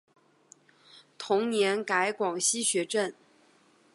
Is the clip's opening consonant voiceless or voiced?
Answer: voiceless